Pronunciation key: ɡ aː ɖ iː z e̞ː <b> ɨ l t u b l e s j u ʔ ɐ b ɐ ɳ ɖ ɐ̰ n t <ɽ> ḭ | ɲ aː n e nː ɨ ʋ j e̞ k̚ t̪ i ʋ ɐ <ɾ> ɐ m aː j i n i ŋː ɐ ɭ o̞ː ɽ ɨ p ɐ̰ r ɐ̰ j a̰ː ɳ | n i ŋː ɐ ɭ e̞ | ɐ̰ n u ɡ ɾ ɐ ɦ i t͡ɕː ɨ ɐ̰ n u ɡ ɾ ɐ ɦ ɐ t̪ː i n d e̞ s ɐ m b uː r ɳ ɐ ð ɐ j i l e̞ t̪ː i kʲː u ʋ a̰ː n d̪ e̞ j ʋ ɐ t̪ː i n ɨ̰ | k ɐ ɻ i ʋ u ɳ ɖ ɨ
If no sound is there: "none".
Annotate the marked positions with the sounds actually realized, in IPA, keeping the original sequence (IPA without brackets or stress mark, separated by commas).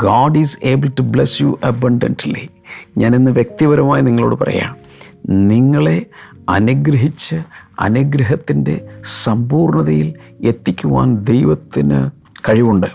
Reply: b, l, ɾ